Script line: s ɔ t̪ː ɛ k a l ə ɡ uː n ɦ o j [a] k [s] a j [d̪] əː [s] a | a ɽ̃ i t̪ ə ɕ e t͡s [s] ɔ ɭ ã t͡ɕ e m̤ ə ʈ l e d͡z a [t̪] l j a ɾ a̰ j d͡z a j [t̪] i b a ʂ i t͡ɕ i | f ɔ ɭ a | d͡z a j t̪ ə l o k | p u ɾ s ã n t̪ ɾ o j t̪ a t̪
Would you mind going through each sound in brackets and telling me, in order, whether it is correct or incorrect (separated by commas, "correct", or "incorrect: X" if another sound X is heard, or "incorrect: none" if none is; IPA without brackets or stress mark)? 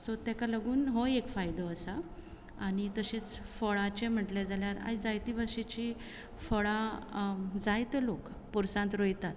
incorrect: e, incorrect: f, correct, correct, incorrect: f, incorrect: none, correct